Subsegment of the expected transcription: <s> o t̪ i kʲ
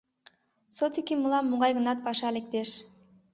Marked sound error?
no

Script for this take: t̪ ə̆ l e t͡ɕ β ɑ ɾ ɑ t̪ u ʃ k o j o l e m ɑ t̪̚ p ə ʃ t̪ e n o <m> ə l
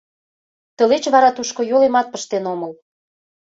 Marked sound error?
no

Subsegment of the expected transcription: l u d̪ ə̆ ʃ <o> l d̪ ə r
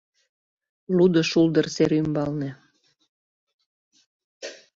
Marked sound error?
yes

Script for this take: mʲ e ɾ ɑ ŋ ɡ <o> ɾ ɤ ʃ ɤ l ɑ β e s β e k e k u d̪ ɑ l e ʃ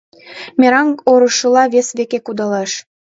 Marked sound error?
no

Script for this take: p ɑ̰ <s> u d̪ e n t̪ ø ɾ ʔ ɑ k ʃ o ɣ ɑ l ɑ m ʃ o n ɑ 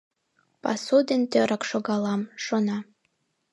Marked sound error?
no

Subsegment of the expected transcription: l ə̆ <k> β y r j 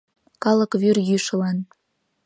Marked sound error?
no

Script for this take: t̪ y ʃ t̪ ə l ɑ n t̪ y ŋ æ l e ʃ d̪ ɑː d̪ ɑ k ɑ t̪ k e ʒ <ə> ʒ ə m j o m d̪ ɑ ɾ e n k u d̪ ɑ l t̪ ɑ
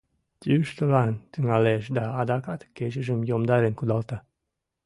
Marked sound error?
no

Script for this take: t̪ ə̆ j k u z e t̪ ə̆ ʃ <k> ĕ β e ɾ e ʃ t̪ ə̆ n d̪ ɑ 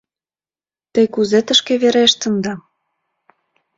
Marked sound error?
no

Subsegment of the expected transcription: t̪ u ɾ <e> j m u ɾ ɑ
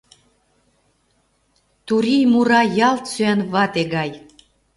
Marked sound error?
yes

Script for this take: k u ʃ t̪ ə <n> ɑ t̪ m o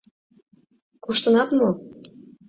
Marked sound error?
no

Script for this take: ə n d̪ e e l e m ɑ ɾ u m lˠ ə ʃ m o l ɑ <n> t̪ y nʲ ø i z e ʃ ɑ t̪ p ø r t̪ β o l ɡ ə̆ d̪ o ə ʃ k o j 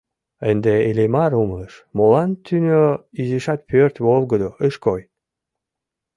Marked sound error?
no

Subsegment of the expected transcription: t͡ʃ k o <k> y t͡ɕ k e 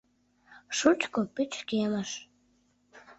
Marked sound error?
yes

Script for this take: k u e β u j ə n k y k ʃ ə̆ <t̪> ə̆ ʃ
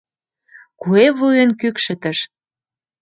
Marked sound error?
no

